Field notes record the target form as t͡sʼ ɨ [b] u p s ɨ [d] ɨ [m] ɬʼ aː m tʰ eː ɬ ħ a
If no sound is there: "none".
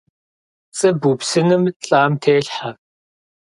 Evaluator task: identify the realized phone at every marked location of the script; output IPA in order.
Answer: b, n, m

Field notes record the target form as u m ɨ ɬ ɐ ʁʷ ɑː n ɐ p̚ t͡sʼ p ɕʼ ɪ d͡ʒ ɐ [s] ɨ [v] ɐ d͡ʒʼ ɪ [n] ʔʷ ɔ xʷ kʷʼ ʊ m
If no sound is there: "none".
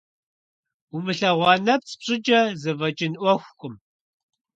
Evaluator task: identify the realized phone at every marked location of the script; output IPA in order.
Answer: z, v, n

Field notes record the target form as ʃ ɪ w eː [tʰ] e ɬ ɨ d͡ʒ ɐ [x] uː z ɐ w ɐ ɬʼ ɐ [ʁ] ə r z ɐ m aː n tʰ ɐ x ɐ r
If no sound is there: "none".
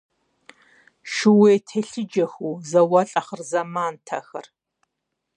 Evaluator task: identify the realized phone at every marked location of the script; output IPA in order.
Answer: tʰ, x, χ

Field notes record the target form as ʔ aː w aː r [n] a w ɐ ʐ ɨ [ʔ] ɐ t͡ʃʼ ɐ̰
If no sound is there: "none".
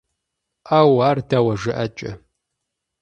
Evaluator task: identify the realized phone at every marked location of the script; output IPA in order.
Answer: d, ʔ

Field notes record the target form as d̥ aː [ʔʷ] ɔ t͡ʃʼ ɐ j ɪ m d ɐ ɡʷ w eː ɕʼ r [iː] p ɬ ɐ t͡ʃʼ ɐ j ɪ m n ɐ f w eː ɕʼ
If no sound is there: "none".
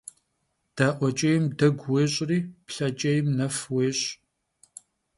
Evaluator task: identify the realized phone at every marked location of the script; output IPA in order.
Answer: ʔʷ, iː

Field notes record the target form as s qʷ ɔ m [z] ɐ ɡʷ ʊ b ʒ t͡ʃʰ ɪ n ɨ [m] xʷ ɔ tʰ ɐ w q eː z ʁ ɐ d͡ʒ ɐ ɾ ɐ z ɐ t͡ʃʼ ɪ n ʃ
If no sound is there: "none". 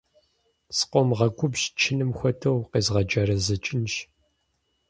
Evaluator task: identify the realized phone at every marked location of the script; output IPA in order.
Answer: ʁ, m

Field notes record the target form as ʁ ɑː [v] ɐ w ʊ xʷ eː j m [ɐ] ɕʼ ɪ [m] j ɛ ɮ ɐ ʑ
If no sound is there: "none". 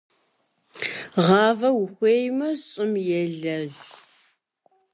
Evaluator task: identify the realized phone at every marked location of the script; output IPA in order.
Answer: v, ɐ, m

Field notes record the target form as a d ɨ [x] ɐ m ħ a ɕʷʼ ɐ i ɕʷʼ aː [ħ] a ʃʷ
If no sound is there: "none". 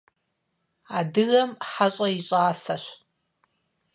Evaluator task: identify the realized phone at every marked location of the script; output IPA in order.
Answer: ɣ, s

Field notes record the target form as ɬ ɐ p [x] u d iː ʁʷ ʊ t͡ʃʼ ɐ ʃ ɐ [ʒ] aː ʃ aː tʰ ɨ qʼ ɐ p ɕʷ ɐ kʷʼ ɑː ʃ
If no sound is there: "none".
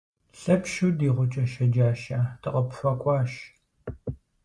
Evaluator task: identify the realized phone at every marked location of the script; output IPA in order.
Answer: ʃ, d͡ʒ

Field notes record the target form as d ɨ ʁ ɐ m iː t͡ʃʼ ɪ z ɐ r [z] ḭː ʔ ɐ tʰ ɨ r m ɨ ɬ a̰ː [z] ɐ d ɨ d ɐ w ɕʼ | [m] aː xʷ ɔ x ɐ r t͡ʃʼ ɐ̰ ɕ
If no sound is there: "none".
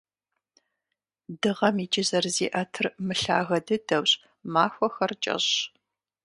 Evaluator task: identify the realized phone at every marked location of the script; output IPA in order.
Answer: z, ɣ, m

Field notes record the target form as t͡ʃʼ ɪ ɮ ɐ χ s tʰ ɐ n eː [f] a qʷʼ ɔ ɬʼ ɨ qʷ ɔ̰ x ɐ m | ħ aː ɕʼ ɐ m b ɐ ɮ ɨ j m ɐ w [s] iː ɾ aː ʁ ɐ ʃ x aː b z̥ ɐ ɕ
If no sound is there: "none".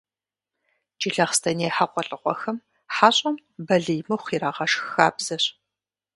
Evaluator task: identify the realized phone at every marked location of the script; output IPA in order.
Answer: ħ, χ

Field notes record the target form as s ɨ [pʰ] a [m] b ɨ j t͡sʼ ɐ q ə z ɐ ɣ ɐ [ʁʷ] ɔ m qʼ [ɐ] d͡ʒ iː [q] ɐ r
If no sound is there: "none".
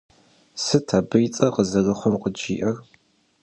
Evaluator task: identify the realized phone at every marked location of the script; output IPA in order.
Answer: tʰ, none, χʷ, ə, ʔ

